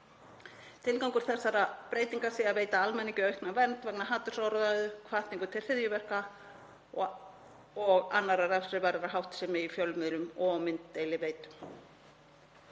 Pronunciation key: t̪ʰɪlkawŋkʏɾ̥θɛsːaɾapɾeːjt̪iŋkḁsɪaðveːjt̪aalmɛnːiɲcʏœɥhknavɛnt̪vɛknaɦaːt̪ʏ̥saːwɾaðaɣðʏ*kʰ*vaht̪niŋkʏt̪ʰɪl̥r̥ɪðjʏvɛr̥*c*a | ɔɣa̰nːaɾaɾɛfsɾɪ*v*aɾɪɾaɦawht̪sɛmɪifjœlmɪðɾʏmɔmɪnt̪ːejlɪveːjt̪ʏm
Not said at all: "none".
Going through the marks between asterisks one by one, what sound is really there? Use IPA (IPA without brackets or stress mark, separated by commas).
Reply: kʰ, k, v